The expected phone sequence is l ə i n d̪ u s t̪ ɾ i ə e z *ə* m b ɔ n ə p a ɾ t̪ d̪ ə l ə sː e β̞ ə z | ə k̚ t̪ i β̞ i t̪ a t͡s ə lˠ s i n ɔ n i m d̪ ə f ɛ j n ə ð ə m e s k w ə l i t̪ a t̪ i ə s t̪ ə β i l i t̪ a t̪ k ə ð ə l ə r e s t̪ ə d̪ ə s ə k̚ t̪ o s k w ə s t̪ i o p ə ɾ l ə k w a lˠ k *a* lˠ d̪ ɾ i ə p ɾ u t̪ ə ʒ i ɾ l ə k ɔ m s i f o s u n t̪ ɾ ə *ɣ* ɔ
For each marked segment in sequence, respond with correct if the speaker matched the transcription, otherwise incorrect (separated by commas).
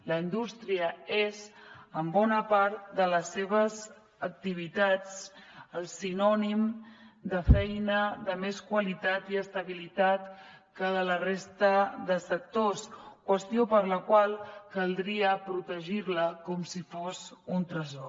correct, incorrect, incorrect